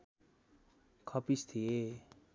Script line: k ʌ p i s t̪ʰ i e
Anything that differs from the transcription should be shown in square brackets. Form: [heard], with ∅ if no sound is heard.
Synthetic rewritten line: [kʰ] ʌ p i s t̪ʰ i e